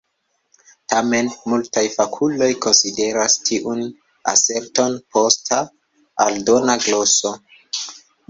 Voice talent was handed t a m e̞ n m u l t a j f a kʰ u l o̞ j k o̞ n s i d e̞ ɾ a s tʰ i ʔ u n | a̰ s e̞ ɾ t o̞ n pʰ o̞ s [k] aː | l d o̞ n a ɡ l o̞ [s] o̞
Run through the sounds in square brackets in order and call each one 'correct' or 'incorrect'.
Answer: incorrect: t, correct

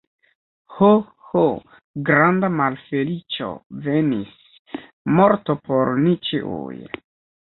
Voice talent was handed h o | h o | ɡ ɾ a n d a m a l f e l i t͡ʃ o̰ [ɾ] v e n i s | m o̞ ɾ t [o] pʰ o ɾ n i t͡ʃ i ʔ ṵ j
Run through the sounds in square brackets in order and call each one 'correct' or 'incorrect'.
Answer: incorrect: none, correct

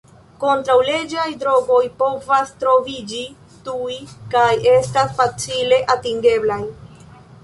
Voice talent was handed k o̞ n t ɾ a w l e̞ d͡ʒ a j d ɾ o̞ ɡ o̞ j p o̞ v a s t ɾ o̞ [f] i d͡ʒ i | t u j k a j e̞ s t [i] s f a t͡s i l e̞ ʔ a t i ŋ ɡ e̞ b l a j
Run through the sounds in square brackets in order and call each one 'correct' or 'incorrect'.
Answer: incorrect: v, incorrect: a

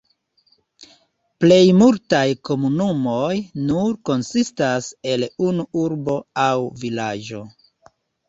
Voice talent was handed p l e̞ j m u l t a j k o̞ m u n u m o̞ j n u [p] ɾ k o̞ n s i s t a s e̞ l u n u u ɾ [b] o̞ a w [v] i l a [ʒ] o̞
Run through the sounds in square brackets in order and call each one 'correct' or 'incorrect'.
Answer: incorrect: none, correct, correct, incorrect: d͡ʒ

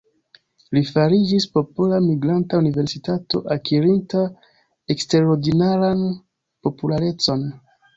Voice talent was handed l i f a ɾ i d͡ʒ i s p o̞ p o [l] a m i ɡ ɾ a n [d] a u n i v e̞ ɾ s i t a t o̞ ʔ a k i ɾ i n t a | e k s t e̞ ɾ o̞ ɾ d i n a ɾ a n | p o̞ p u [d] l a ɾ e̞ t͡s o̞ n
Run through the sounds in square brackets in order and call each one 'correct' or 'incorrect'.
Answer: correct, incorrect: t, incorrect: none

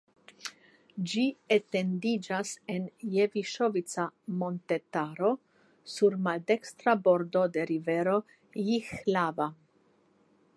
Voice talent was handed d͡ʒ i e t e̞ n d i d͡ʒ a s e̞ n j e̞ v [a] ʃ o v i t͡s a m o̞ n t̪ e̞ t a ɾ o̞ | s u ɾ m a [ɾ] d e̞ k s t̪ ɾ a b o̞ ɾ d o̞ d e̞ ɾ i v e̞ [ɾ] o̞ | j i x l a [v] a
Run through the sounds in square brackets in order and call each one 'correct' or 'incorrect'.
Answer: incorrect: i, incorrect: l, correct, correct

